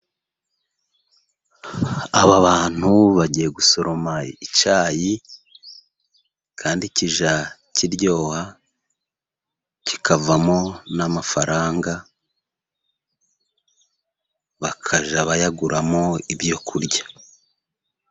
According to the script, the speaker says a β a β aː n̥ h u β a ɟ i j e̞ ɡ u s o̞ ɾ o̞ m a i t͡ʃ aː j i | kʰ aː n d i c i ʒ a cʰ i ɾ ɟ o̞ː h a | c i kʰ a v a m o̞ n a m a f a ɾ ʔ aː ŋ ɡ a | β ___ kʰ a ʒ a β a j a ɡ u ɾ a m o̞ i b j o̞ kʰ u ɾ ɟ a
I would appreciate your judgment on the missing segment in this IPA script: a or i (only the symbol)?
a